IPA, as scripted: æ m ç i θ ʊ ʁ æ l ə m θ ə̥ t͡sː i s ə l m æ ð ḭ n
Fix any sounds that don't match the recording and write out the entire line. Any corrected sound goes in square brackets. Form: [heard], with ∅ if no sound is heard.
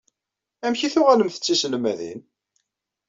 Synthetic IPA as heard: æ m ç i θ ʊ ʁ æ l ə m θ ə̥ t͡sː i s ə l m æ ð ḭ n